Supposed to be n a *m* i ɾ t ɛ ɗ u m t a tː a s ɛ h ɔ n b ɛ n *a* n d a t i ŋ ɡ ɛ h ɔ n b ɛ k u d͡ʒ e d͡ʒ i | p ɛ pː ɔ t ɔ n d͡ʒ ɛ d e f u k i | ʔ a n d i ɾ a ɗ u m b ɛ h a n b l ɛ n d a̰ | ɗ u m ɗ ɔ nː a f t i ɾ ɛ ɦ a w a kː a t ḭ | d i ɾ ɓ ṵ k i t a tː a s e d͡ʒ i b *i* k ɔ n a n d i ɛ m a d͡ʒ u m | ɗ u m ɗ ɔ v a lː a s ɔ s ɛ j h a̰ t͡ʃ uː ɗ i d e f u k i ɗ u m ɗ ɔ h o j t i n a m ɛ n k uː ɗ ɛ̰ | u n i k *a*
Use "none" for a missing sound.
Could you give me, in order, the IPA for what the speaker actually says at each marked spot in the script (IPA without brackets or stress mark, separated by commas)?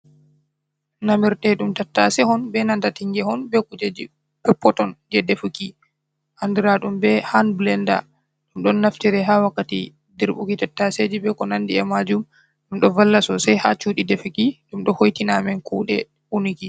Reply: m, a, ɛ, i